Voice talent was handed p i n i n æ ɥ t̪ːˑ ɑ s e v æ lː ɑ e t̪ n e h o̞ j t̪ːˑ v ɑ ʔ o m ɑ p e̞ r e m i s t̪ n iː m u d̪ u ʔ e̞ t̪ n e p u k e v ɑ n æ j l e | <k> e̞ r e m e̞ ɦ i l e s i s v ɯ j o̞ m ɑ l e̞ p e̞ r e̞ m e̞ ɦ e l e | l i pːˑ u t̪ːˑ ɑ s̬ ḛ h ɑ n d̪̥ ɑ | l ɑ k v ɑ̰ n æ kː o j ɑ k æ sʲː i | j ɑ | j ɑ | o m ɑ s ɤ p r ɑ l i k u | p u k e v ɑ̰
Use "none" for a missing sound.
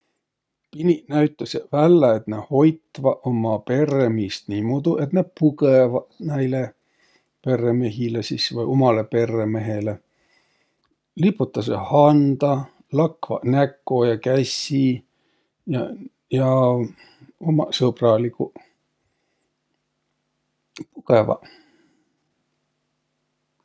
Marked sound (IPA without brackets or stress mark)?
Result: p